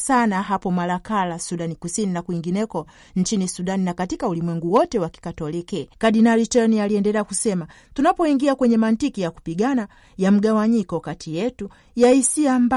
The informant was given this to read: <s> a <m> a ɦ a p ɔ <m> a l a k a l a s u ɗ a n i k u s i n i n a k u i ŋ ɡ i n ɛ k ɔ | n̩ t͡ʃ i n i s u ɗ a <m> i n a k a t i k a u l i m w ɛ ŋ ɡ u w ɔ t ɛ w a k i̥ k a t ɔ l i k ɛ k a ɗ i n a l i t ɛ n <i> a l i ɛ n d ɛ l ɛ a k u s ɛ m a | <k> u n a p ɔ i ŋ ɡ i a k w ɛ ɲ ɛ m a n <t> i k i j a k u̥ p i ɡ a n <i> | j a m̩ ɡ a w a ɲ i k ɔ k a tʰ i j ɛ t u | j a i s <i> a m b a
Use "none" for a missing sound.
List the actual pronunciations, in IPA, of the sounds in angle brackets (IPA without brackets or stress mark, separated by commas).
s, n, m, n, i, t, t, a, i